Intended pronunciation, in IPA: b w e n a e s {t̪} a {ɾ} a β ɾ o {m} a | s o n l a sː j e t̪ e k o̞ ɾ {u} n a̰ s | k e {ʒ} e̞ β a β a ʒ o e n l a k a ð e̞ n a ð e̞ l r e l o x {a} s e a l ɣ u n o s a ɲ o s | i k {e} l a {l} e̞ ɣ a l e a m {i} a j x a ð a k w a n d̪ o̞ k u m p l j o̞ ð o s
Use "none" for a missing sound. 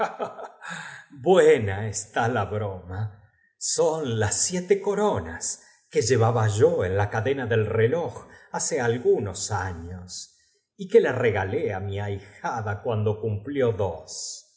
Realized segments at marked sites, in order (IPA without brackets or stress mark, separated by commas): t̪, l, m, o, ʒ, a, e, r, i